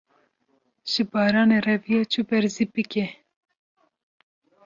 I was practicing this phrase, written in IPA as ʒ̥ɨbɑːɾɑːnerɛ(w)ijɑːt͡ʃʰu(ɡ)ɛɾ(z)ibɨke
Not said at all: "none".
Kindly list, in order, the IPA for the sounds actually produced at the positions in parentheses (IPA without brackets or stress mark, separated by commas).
v, b, z